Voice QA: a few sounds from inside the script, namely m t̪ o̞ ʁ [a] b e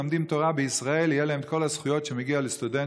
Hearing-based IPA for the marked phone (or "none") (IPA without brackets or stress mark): a